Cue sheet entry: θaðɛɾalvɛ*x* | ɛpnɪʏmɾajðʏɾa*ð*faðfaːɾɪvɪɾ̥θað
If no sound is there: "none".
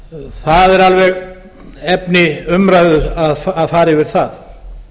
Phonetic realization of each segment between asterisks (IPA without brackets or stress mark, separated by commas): ɣ, ð